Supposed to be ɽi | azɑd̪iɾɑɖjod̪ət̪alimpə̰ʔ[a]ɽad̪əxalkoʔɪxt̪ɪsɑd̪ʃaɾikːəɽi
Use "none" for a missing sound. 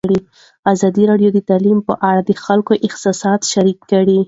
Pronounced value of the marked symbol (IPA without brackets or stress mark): a